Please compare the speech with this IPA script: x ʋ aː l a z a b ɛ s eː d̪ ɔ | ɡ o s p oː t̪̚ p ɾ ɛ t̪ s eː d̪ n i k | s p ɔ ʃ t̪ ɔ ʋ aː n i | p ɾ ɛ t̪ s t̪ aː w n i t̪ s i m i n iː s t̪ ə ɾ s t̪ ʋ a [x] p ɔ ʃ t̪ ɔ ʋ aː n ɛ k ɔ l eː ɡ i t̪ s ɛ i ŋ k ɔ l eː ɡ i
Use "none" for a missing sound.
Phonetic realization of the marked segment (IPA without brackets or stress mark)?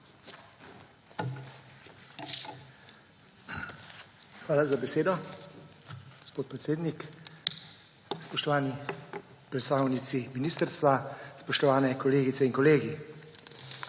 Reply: s